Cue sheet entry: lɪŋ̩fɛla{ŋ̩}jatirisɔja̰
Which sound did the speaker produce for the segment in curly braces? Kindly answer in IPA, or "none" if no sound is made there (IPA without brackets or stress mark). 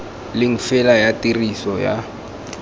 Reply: none